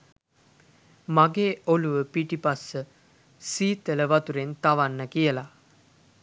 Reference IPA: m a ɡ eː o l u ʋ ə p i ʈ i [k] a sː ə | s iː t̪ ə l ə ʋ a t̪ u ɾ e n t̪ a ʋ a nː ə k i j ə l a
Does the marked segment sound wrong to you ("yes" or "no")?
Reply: yes